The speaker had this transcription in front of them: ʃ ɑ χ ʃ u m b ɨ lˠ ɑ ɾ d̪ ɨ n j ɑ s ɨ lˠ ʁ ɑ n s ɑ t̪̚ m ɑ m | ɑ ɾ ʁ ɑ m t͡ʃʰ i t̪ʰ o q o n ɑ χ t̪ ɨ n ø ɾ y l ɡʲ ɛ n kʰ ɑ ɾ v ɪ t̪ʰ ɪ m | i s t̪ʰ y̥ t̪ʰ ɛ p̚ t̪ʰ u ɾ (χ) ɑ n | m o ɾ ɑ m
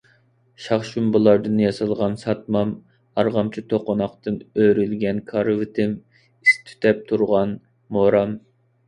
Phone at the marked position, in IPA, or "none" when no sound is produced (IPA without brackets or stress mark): ʁ